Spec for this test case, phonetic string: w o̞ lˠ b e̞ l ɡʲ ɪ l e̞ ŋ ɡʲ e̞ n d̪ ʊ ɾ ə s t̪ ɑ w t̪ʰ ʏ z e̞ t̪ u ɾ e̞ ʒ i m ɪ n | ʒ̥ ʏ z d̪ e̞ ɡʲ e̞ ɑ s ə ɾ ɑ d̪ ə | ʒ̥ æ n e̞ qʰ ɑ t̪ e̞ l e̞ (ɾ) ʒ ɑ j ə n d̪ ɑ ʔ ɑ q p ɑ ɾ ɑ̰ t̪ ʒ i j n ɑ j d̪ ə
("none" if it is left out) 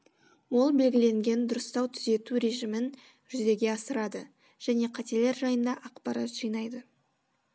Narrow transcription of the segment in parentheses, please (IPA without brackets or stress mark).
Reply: ɾ